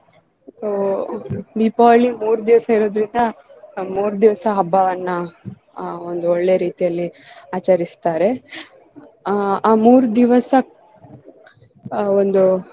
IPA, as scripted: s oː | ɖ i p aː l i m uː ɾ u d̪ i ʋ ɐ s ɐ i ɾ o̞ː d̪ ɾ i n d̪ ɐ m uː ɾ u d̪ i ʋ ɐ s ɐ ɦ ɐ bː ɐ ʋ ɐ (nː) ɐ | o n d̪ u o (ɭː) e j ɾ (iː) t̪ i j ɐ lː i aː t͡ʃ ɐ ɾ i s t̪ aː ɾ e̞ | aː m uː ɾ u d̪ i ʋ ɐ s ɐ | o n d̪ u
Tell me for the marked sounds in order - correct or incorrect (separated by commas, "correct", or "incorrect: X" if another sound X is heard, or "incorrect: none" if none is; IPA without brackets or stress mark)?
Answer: correct, correct, correct